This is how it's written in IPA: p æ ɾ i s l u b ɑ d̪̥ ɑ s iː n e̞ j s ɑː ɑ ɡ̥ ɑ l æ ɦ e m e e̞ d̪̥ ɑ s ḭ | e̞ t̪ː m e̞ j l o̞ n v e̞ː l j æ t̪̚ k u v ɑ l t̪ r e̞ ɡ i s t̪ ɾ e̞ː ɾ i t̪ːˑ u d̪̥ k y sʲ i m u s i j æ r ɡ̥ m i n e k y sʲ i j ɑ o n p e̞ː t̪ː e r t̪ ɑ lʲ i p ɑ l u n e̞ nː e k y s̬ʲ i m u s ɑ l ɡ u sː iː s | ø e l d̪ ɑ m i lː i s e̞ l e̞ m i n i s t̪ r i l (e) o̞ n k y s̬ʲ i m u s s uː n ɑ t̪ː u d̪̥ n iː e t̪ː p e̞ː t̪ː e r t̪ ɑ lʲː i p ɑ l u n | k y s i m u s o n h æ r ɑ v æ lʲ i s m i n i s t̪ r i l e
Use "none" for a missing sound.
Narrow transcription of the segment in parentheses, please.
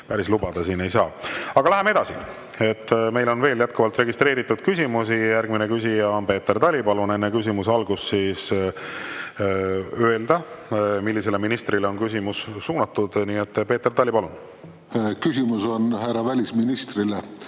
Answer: e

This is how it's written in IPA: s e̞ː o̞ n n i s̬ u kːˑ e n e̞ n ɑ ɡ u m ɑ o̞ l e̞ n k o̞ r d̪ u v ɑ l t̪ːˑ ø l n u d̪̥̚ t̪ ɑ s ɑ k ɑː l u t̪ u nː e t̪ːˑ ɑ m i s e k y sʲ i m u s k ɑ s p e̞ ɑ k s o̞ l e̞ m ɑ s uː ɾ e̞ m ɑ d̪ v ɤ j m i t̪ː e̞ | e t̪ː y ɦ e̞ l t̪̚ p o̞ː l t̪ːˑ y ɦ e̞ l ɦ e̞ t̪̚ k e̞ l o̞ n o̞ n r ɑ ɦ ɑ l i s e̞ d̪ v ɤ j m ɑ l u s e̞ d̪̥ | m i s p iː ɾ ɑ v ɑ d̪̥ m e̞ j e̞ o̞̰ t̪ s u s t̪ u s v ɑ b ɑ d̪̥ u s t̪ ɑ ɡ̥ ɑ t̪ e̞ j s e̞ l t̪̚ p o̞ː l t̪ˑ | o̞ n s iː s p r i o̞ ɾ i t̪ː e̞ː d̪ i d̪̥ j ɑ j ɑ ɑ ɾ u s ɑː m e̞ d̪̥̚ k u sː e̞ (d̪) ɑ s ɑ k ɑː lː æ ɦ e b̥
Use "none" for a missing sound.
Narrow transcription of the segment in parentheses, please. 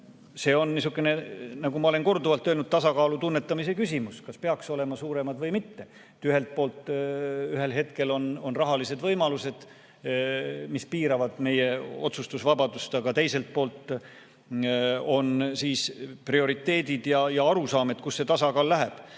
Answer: t̪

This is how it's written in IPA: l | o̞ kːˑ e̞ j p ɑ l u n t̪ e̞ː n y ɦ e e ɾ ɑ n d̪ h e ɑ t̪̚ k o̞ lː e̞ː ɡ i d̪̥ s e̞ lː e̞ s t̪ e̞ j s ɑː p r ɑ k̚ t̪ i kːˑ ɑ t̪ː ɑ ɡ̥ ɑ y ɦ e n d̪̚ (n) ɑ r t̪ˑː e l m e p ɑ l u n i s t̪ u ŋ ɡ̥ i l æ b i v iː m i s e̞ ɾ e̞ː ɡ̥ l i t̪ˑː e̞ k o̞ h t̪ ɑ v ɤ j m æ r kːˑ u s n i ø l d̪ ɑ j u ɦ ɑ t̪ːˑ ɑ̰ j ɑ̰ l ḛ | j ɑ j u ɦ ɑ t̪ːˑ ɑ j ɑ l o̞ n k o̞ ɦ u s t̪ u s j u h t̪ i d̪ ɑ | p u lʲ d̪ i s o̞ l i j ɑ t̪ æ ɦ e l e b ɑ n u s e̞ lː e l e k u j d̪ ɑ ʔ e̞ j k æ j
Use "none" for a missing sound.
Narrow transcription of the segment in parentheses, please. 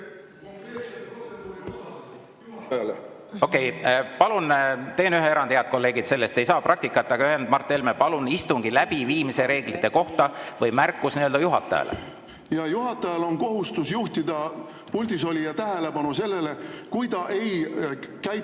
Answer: m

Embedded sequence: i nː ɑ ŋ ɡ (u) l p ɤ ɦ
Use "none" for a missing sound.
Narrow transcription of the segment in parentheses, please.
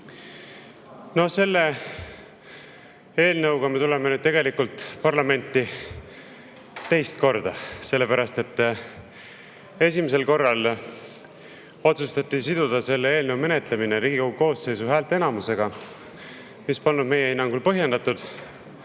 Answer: u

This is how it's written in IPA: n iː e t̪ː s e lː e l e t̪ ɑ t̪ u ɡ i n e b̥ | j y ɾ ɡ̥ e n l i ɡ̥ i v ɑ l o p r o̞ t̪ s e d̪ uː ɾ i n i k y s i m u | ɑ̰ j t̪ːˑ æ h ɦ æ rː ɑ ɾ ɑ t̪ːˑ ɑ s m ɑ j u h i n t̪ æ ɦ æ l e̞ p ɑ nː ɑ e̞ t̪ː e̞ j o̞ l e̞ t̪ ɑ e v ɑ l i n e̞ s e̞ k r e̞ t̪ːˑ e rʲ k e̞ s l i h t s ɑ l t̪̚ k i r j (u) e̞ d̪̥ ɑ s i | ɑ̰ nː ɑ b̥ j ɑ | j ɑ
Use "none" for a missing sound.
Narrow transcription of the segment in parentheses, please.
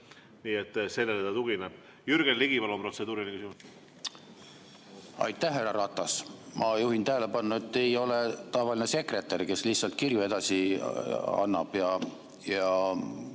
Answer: u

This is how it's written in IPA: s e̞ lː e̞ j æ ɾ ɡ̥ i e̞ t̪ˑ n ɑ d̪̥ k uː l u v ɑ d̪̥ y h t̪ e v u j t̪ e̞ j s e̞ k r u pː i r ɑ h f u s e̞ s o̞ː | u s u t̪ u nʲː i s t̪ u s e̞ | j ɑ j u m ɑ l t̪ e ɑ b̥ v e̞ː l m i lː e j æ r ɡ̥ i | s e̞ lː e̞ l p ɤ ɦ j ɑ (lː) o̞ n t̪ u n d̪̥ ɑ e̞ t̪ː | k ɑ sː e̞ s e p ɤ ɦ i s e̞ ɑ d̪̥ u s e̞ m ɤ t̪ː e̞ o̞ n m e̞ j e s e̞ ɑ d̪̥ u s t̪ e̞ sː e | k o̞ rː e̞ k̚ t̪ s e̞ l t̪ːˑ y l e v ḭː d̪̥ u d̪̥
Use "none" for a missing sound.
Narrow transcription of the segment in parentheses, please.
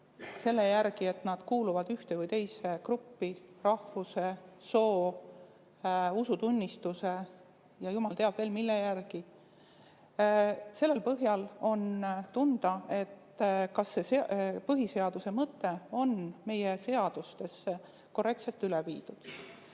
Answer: l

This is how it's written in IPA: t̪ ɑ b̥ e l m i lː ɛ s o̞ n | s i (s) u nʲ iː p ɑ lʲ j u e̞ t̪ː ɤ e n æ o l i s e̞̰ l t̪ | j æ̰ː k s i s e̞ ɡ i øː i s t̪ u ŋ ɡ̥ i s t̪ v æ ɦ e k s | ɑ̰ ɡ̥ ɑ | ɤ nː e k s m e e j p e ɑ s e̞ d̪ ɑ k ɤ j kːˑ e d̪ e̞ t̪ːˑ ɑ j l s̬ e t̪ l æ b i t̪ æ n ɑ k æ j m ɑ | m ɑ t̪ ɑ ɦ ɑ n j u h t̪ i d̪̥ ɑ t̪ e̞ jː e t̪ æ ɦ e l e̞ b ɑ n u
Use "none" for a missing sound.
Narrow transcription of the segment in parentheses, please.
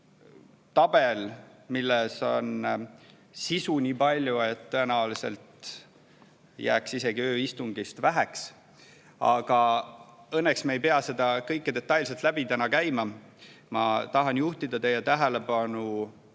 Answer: s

